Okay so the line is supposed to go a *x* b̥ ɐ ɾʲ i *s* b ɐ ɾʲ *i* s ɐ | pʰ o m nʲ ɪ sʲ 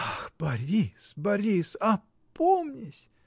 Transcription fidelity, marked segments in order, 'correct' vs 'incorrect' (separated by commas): correct, correct, correct